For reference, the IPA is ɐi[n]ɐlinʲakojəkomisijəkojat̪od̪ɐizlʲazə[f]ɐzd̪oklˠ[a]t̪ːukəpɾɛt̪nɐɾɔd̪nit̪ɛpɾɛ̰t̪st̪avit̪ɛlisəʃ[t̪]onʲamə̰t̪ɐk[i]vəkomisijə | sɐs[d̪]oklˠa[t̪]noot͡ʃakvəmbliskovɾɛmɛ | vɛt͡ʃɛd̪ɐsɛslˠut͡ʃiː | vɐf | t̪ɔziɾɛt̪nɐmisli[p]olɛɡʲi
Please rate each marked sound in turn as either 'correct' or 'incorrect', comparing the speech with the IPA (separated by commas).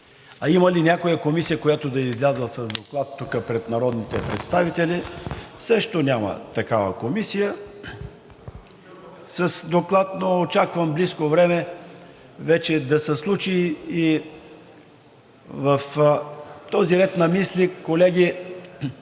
incorrect, incorrect, correct, correct, incorrect, correct, correct, incorrect